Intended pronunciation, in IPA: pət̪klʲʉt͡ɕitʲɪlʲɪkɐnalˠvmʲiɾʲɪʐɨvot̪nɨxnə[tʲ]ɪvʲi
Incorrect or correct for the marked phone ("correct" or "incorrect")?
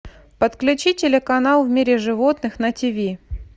correct